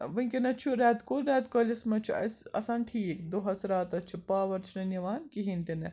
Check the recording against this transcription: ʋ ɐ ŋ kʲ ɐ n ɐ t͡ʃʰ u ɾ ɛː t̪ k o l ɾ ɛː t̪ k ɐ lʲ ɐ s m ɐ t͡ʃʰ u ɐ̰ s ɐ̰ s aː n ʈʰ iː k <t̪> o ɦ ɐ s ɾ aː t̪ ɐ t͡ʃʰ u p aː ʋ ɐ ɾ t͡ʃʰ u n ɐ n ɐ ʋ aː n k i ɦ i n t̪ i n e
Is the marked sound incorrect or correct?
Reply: incorrect